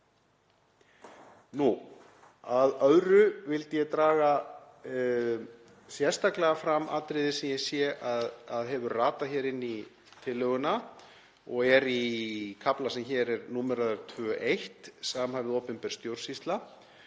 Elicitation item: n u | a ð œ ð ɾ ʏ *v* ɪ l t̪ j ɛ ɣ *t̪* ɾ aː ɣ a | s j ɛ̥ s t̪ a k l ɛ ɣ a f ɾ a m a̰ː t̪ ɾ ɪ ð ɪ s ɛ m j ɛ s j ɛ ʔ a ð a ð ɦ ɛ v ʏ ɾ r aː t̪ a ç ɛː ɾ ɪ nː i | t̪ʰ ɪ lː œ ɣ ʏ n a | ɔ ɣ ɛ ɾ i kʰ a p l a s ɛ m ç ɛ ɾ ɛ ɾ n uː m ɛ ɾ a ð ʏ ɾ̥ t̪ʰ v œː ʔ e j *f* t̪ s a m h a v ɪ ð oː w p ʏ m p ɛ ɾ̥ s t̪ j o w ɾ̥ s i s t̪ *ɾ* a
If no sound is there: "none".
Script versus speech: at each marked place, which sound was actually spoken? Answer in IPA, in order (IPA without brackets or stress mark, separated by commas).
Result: v, t̪, h, l